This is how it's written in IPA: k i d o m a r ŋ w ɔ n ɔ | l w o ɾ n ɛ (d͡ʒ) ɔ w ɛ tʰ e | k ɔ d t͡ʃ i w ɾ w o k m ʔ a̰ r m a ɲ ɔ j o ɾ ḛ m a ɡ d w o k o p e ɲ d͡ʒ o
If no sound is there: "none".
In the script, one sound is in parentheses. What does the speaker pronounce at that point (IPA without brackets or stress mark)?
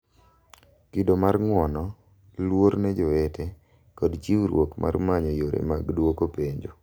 d͡ʒ